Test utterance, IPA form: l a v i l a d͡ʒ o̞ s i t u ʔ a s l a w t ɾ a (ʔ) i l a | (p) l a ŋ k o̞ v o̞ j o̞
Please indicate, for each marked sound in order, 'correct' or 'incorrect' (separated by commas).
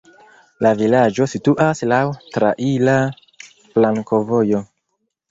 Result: correct, correct